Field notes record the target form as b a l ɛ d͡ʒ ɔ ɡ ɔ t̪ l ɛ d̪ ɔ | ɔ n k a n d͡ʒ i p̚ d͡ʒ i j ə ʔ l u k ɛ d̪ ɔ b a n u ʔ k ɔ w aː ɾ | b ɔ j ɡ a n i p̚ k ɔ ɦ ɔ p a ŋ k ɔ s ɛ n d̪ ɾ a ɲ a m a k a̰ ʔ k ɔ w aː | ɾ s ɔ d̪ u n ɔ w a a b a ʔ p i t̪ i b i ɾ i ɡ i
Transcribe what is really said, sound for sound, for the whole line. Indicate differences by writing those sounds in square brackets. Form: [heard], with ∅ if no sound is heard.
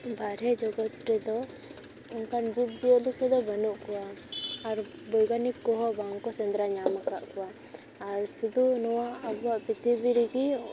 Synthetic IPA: b a [ɾ] ɛ d͡ʒ ɔ ɡ ɔ t̪ [ɾ] ɛ d̪ ɔ | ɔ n k a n d͡ʒ i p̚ d͡ʒ i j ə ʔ l u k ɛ d̪ ɔ b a n u ʔ k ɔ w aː ɾ | b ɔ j ɡ a n i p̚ k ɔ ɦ ɔ [b] a ŋ k ɔ s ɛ n d̪ ɾ a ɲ a m a k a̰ ʔ k ɔ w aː | ɾ s [u] d̪ u n ɔ w a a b a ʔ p i t̪ i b i ɾ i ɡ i